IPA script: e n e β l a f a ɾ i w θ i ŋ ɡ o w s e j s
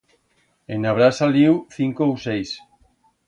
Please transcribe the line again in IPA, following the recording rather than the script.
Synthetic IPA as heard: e n a β ɾ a s a l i w θ i ŋ k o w s e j s